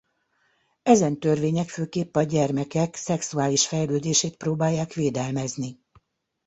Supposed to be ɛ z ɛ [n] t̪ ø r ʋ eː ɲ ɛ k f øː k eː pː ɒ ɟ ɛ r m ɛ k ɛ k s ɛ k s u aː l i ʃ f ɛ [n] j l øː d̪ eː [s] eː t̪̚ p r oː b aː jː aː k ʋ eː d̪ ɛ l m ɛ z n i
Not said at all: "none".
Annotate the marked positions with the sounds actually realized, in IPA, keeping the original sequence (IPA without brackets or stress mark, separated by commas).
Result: n, none, ʃ